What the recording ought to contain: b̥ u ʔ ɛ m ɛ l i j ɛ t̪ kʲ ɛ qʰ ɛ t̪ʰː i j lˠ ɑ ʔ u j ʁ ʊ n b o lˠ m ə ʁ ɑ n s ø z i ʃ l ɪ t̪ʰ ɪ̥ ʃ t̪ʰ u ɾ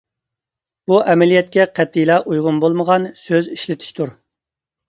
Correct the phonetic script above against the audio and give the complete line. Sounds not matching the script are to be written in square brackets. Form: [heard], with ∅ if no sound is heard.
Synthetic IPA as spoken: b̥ u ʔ ɛ m ɛ l i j ɛ t̪ kʲ ɛ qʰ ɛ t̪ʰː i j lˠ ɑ ʔ u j ʁ ʊ n b o lˠ m ə ʁ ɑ n s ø z i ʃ l ɪ t̪ʰ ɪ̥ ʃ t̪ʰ u ɾ